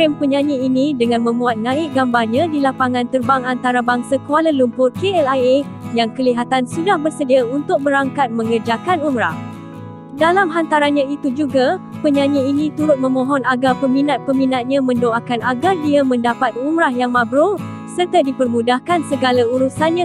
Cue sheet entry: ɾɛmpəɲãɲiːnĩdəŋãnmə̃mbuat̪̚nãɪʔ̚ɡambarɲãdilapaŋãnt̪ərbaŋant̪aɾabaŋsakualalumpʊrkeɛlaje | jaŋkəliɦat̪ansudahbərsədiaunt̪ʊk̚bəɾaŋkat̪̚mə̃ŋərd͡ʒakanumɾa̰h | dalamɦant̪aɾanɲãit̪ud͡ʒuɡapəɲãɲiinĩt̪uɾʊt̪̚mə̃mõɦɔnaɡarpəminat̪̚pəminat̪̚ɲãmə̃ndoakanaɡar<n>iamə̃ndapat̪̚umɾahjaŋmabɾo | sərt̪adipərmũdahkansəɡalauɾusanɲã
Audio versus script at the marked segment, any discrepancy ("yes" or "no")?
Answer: yes